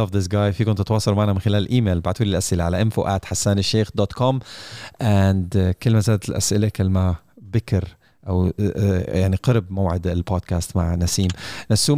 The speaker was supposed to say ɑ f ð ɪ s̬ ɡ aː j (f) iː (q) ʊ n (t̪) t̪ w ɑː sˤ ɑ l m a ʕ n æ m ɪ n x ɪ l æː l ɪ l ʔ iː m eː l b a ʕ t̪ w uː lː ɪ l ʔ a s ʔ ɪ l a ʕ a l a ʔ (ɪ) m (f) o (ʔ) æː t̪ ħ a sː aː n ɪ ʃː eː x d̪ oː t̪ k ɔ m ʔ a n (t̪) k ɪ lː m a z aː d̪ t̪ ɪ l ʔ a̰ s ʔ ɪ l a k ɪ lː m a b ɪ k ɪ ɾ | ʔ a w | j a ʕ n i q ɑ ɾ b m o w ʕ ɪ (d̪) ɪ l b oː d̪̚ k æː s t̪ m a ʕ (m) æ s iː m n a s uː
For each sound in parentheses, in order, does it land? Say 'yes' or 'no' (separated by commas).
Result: yes, no, yes, yes, yes, yes, no, yes, no